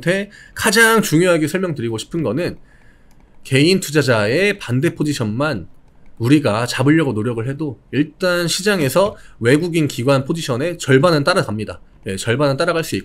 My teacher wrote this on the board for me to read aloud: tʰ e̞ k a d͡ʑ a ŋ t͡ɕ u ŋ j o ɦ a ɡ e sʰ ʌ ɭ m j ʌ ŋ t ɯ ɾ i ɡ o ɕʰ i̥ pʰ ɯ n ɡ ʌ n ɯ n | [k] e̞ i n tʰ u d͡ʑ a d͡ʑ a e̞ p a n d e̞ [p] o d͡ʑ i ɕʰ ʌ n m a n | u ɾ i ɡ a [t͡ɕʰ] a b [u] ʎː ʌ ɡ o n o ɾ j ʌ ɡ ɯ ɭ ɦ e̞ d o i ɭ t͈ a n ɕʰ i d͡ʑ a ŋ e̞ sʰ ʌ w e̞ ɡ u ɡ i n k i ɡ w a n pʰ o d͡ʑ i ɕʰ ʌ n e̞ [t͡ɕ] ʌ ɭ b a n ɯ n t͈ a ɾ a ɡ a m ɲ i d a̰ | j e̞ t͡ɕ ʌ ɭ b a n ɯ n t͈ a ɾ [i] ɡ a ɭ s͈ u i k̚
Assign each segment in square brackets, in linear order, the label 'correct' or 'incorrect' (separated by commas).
correct, incorrect, incorrect, incorrect, correct, incorrect